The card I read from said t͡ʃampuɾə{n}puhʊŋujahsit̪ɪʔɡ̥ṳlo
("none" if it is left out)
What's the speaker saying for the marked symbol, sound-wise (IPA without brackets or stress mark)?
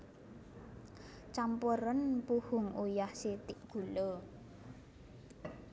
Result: n